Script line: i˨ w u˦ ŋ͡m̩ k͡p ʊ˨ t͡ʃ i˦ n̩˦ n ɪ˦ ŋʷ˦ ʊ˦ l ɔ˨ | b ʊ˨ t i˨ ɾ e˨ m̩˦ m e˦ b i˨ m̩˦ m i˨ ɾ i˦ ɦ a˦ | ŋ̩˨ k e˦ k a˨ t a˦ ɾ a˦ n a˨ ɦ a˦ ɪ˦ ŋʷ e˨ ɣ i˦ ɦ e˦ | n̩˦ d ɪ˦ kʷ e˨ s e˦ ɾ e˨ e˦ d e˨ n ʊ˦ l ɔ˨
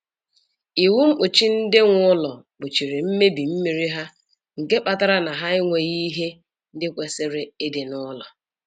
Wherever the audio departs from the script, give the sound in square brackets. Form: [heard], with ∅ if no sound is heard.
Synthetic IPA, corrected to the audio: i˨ w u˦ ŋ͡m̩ k͡p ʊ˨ t͡ʃ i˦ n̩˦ [d] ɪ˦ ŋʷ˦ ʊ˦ l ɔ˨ | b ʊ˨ [t͡ʃ] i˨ ɾ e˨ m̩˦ m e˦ b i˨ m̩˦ m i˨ ɾ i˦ ɦ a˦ | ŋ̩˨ k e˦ [k͡p] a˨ t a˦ ɾ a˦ n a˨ ɦ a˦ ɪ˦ ŋʷ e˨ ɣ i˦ ɦ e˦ | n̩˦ d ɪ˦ kʷ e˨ s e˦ ɾ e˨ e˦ d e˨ n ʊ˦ l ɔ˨